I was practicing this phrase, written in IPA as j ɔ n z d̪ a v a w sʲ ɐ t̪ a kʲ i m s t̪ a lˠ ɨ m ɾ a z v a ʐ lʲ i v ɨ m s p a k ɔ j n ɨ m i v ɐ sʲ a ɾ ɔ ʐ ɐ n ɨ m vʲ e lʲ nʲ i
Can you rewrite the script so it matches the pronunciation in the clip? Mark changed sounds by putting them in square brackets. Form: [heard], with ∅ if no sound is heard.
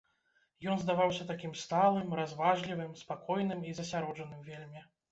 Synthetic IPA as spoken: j ɔ n z d̪ a v a w sʲ ɐ t̪ a kʲ i m s t̪ a lˠ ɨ m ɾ a z v a ʐ lʲ i v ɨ m s p a k ɔ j n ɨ m i [z] ɐ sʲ a ɾ ɔ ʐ ɐ n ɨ m vʲ e lʲ [mʲ] i

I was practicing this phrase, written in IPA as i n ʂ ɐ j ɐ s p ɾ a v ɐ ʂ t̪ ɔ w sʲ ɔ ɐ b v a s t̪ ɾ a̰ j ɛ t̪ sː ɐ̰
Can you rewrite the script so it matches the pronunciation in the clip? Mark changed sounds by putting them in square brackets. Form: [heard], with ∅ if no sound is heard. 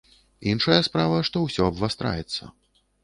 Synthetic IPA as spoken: i n ʂ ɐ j ɐ s p ɾ a v ɐ ʂ t̪ ɔ w sʲ ɔ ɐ b v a s t̪ ɾ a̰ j ɛ t̪ sː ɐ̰

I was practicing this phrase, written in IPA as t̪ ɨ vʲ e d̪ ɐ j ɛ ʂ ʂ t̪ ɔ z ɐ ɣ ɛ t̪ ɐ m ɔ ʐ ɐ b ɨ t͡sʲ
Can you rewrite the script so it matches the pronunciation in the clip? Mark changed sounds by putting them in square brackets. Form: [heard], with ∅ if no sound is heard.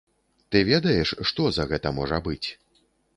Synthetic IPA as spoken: t̪ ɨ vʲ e d̪ ɐ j ɛ ʂ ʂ t̪ ɔ z ɐ ɣ ɛ t̪ ɐ m ɔ ʐ ɐ b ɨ t͡sʲ

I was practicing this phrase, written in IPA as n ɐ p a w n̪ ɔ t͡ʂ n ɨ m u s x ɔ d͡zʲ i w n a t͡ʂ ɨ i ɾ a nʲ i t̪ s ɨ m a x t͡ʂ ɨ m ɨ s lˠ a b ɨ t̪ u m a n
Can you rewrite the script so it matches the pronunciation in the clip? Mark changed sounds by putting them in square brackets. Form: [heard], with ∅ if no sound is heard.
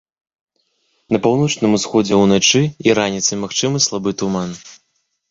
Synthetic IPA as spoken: n ɐ p a w n̪ ɔ t͡ʂ n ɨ m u s x ɔ d͡zʲ [ɛ] w n a t͡ʂ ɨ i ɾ a nʲ i t̪ s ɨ m a x t͡ʂ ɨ m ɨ s lˠ a b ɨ t̪ u m a n

